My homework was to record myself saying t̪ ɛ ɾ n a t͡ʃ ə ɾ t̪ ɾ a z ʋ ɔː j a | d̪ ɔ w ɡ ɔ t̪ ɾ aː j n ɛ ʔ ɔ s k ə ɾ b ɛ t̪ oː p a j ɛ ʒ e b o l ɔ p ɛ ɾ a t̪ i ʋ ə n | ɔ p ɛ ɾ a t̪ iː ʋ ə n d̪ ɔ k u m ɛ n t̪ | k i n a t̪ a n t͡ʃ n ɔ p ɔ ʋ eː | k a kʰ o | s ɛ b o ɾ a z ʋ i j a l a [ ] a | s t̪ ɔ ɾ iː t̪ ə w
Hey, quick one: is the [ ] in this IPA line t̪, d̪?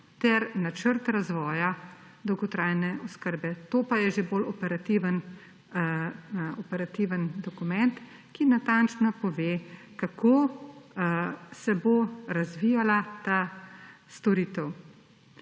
t̪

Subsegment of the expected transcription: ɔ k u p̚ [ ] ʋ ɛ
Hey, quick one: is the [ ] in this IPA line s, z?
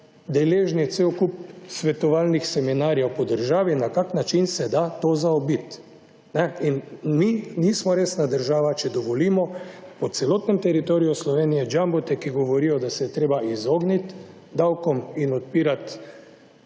s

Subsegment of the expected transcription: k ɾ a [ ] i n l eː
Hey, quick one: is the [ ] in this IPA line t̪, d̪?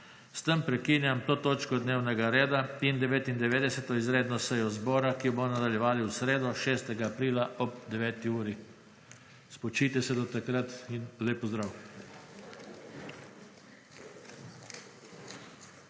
t̪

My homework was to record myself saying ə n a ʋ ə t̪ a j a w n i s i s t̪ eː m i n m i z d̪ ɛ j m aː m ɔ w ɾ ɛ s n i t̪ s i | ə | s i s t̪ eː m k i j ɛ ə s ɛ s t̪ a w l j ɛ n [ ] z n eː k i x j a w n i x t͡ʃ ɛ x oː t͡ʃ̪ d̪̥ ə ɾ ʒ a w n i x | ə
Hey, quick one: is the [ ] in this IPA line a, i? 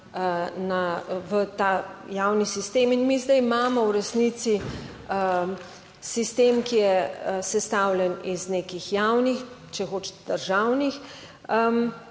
i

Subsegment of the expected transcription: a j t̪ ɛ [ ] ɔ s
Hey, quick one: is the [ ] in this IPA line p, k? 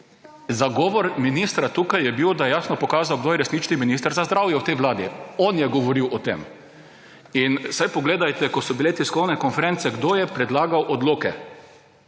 k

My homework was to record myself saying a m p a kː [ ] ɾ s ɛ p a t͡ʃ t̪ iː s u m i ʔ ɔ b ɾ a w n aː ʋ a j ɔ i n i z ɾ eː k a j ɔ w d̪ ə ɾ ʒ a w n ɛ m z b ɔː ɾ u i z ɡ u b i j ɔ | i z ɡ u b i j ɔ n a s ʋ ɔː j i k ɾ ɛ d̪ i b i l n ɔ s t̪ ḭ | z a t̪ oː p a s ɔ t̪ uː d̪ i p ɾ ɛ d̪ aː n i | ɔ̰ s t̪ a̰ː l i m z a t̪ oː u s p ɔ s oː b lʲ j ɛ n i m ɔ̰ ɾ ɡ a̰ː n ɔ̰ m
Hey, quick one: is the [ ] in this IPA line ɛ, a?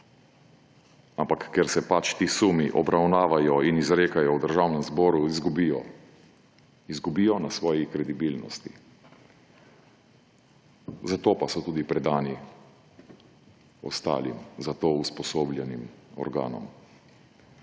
ɛ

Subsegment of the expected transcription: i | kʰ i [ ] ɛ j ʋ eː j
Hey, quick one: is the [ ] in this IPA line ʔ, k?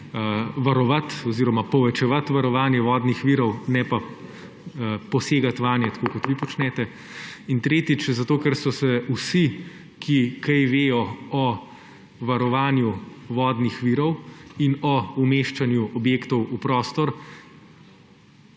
k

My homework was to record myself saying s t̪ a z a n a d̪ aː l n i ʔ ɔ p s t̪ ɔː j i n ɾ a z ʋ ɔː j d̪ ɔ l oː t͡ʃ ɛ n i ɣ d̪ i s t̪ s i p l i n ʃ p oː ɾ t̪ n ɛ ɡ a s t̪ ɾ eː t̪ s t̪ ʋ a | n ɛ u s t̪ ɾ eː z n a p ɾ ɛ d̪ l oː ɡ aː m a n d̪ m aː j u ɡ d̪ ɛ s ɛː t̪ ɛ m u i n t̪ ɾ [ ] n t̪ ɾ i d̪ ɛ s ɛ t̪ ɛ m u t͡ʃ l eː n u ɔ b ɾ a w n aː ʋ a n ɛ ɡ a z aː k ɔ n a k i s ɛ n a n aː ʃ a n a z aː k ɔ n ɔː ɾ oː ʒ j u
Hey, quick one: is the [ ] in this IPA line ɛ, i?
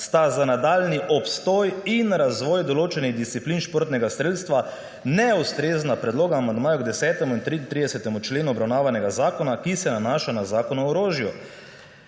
i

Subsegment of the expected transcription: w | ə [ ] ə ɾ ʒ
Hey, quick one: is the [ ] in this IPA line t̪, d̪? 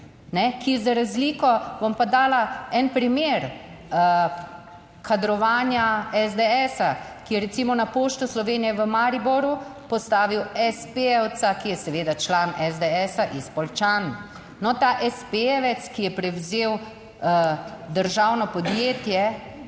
d̪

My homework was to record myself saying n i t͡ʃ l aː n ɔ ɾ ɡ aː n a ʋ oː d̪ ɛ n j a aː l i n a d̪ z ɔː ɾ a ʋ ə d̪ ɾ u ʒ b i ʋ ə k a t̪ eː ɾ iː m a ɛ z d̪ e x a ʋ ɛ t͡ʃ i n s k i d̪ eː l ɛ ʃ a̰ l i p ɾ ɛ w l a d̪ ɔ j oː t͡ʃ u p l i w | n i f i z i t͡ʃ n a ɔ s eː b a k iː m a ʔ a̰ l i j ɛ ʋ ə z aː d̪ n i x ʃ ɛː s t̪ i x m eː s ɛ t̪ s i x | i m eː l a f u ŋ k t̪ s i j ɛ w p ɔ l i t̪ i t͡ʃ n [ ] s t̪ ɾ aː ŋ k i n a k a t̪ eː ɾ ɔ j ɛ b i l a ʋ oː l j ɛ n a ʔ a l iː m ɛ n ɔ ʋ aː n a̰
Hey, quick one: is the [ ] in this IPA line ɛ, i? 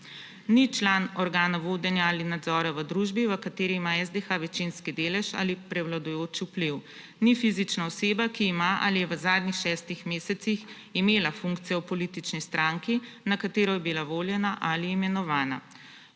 i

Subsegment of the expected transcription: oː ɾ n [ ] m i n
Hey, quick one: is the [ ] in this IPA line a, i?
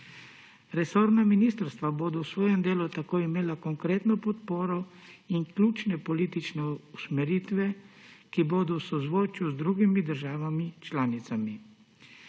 a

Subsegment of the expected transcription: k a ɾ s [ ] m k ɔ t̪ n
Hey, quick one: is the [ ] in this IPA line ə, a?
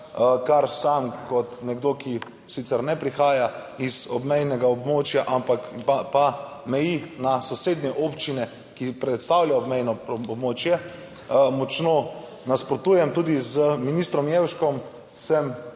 a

